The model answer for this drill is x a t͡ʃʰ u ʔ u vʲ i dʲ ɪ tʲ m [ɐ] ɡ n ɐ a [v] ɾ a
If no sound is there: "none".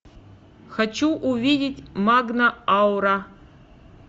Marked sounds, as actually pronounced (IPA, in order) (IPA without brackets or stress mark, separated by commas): a, w